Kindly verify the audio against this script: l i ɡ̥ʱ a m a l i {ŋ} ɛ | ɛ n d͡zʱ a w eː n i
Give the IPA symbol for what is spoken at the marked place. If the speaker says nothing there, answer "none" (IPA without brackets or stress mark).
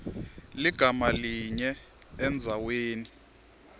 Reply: ɲ